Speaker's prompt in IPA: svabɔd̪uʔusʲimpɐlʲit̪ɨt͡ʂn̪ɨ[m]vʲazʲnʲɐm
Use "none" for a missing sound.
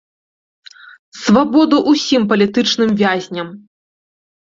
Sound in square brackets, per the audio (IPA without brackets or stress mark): m